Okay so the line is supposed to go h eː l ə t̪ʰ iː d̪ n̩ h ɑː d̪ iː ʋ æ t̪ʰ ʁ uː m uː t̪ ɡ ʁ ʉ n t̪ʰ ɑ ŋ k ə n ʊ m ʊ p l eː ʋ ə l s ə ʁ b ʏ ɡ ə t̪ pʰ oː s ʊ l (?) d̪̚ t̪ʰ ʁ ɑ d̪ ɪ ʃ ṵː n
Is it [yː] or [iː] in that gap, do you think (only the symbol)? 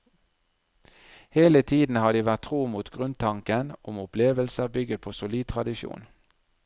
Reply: iː